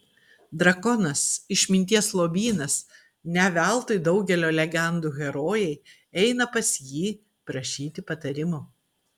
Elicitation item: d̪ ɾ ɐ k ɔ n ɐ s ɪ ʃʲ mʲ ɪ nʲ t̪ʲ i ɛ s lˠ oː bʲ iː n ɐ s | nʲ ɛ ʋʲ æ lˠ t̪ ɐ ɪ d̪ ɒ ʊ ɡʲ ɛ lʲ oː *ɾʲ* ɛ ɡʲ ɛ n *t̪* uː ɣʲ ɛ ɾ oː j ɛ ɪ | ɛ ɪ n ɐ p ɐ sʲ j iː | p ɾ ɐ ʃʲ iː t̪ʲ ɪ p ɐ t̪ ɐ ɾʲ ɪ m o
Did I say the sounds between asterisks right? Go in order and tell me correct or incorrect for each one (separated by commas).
incorrect, incorrect